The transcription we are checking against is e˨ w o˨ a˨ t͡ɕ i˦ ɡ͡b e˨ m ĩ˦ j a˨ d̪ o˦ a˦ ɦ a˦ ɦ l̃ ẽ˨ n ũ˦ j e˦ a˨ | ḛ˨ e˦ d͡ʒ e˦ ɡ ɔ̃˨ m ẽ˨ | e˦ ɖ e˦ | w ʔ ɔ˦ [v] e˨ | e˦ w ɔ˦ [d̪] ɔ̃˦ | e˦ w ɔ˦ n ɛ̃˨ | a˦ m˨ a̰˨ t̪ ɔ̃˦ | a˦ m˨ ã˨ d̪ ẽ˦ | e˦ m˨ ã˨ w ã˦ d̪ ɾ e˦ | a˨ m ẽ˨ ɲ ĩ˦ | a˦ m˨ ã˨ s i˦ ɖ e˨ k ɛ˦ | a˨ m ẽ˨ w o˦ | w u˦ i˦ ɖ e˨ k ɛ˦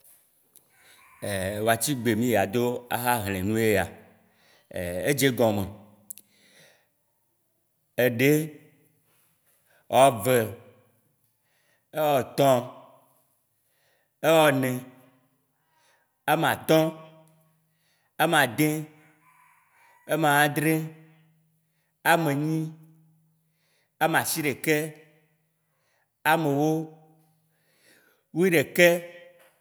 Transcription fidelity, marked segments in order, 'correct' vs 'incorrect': correct, incorrect

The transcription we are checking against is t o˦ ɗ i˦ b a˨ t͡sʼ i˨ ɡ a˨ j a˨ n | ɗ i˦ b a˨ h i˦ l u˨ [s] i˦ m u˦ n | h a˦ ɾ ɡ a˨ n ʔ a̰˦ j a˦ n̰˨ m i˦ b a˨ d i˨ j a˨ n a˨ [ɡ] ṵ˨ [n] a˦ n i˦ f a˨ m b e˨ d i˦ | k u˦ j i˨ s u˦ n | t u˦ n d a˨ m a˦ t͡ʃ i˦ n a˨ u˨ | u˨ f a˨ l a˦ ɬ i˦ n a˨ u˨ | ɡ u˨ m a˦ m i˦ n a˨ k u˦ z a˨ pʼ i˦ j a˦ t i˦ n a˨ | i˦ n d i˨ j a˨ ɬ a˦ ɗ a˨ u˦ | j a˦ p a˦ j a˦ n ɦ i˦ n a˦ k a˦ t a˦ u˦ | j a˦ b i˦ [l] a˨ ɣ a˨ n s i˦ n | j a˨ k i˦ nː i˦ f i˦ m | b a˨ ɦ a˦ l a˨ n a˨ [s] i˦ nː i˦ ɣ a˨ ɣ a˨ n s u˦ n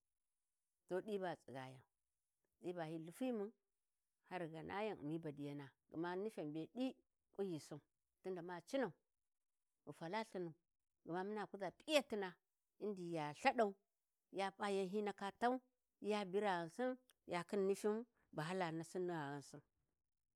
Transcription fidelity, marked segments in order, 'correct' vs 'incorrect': incorrect, correct, incorrect, incorrect, correct

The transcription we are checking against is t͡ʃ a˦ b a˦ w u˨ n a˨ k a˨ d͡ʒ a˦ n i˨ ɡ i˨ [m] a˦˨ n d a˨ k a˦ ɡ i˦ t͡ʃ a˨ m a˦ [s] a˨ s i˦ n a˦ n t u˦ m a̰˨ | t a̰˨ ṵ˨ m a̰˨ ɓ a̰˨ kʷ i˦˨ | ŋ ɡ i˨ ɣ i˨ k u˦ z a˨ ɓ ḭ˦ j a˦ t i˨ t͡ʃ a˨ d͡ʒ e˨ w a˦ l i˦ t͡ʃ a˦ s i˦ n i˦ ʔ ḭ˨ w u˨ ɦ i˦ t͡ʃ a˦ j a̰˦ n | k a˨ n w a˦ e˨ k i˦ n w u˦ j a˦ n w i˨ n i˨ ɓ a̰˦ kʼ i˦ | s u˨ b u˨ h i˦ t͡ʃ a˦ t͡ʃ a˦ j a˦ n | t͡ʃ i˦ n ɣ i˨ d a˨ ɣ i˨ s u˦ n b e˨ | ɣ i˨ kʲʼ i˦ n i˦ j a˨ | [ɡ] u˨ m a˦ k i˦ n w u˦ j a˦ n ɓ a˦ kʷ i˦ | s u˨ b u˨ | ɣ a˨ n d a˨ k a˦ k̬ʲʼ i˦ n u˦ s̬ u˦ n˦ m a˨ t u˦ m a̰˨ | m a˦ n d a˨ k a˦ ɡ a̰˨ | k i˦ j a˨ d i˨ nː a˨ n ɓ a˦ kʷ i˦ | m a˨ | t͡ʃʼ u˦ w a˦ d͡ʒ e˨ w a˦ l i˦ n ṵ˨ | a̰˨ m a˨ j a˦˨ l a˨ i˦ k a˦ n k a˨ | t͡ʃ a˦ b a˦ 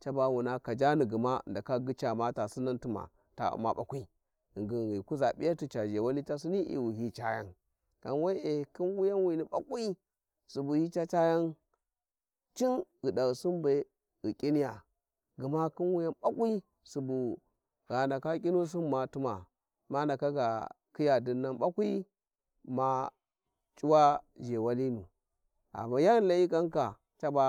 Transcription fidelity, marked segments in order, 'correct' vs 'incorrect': correct, incorrect, correct

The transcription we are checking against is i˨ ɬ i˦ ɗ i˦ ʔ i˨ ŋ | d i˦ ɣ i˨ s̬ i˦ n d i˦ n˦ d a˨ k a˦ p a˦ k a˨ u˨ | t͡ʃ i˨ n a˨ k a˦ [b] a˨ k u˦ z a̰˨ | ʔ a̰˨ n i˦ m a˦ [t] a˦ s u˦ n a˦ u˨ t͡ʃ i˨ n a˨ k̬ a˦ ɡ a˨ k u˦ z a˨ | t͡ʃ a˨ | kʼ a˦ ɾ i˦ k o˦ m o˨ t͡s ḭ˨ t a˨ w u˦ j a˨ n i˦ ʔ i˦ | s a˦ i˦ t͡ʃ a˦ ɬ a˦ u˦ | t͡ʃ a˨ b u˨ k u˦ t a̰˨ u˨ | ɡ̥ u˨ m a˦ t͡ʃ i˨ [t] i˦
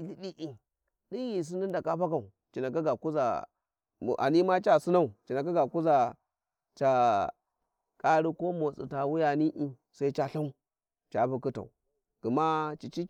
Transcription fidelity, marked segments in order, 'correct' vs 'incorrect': incorrect, incorrect, incorrect

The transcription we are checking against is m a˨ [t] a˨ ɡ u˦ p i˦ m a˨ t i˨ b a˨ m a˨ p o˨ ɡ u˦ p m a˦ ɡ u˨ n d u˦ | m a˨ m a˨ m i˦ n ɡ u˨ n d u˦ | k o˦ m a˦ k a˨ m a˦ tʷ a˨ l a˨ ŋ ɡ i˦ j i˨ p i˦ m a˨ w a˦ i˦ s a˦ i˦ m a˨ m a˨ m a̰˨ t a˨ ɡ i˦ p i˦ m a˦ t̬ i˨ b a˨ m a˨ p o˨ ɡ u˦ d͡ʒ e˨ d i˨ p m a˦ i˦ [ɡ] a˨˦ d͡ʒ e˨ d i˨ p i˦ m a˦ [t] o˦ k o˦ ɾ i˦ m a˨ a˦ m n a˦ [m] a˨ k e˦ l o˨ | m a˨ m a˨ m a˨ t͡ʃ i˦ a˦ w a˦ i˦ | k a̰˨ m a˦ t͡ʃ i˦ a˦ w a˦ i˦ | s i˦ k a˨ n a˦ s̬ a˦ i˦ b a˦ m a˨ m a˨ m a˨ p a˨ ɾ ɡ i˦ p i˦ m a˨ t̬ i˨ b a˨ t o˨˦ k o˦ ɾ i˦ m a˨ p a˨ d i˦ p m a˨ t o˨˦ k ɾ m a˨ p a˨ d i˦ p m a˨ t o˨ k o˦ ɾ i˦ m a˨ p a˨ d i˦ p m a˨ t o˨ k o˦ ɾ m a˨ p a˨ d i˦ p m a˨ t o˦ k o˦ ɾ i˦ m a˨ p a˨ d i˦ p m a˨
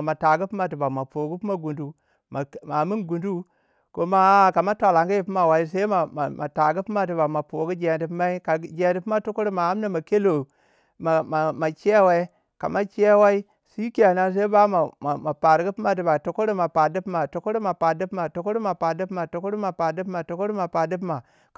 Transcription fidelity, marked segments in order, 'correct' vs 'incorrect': correct, incorrect, correct, correct

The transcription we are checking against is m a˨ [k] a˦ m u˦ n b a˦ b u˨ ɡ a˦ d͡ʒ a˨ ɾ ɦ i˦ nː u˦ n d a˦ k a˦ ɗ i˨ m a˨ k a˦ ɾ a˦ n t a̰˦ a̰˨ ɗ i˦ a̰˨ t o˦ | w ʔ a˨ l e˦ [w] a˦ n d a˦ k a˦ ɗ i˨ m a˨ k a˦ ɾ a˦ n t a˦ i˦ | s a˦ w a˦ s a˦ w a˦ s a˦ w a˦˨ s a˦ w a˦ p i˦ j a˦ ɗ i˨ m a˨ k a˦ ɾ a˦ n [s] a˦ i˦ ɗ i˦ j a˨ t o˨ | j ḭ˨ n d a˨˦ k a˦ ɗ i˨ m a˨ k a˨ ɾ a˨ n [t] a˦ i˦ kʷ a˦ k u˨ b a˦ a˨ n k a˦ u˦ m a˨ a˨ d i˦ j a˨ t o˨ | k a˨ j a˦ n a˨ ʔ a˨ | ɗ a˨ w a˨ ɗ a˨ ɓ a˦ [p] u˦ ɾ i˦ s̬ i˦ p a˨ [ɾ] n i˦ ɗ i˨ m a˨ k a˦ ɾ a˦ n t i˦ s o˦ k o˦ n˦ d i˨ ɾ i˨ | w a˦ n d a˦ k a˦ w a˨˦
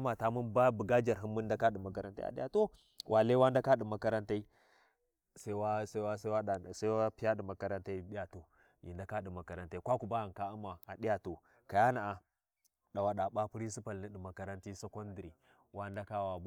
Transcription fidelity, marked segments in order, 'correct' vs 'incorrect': incorrect, correct, incorrect, correct, correct, incorrect

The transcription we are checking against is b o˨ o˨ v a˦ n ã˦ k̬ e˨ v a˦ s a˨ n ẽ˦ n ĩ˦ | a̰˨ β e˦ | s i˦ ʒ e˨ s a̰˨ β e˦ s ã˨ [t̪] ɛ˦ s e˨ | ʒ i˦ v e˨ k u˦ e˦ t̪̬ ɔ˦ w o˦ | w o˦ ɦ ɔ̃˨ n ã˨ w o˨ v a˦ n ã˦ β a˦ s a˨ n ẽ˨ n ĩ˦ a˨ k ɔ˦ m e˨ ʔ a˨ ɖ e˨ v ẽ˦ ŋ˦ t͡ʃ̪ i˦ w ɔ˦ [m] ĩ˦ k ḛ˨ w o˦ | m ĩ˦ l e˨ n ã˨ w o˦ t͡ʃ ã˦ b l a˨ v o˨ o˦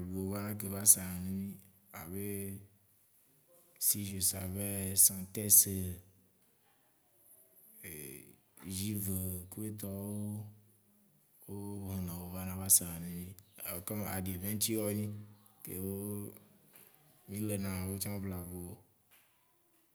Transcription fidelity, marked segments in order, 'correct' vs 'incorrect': correct, incorrect

